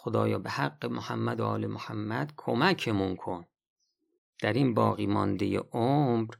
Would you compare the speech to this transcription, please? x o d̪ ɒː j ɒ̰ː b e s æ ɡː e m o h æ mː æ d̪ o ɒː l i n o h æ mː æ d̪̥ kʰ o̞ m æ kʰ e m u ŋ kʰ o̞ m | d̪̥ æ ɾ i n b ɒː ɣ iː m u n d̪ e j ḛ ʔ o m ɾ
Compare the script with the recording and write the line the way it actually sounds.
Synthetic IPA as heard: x o d̪ ɒː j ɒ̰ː b e h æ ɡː e m o h æ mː æ d̪ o ɒː l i m o h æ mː æ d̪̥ kʰ o̞ m æ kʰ e m u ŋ kʰ o̞ n | d̪̥ æ ɾ i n b ɒː ɣ iː m ɒ n d̪ e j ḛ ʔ o m ɾ